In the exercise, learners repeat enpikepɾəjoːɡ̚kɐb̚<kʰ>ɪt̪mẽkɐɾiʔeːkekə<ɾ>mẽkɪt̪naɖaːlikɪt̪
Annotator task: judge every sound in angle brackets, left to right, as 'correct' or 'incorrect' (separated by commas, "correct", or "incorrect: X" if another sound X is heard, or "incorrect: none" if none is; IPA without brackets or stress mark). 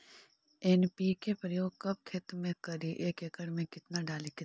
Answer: correct, incorrect: ɽ